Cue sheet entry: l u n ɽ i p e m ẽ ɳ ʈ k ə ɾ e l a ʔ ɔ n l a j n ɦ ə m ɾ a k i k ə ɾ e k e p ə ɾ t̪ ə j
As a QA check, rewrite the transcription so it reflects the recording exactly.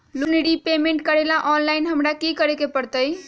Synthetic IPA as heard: l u n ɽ i p e m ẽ ɳ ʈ k ə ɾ e l a ʔ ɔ n l a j n ɦ ə m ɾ a k i k ə ɾ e k e p ə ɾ t̪ ə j